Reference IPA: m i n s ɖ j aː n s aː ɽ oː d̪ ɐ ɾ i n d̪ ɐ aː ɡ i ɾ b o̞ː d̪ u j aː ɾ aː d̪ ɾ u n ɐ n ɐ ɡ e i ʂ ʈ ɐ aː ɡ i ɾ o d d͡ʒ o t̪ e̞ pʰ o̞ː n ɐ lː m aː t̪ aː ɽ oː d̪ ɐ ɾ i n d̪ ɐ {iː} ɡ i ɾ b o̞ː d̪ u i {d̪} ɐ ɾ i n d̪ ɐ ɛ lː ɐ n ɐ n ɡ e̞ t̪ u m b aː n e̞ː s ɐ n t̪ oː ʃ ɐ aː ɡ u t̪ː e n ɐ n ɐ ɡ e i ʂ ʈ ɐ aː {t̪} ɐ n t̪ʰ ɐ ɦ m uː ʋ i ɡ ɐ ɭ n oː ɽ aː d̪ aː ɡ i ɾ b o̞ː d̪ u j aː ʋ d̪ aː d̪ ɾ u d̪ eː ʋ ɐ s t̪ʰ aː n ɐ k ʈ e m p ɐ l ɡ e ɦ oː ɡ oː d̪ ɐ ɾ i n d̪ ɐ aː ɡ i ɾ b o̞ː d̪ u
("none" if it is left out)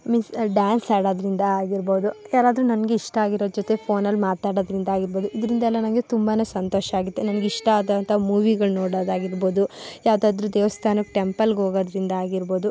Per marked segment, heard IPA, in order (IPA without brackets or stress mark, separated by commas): aː, d̪, d̪